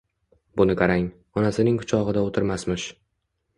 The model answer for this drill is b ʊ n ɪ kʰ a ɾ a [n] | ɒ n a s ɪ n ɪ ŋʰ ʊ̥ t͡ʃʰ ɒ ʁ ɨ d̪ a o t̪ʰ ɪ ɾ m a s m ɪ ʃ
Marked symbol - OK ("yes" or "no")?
no